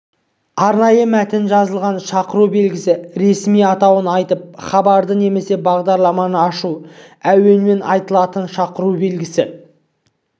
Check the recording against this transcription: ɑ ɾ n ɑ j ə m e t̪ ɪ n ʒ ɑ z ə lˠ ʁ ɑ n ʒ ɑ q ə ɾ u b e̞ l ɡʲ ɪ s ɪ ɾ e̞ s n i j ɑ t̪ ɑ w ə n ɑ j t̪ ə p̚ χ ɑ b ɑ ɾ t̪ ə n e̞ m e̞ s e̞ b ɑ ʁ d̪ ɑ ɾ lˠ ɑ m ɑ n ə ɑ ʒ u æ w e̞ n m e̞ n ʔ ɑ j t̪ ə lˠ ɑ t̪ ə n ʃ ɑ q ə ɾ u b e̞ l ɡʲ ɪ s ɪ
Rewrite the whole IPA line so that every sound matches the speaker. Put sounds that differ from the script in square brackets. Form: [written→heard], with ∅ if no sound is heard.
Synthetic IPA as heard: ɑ ɾ n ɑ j ə m [e→æ] t̪ ɪ n ʒ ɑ z ə lˠ ʁ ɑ n [ʒ→ʃ] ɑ q ə ɾ u b e̞ l ɡʲ ɪ s ɪ ɾ e̞ s [n→m] i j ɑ t̪ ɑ w ə n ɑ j t̪ ə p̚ χ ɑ b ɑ ɾ [t̪→d̪] ə n e̞ m e̞ s e̞ b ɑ ʁ d̪ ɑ ɾ lˠ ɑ m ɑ n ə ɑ [ʒ→ʃ] u æ w e̞ n m e̞ n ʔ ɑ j t̪ ə lˠ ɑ t̪ ə n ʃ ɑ q ə ɾ u b e̞ l ɡʲ ɪ s ɪ